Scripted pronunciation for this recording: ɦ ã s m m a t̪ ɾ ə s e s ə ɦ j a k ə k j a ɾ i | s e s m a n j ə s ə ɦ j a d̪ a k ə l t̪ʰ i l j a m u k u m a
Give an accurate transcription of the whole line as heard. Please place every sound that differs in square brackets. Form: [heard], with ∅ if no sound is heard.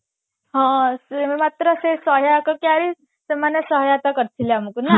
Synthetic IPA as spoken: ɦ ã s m m a t̪ ɾ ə s e s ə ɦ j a k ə k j a ɾ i | s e [∅] m a n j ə s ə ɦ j a [t̪] a k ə [ɾ] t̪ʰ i l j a m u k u [n] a